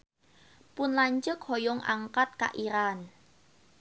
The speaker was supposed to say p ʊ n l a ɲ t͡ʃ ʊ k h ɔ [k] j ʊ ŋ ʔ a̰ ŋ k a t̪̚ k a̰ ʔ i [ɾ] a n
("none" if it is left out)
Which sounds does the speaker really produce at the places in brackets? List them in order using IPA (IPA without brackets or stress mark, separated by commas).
none, ɾ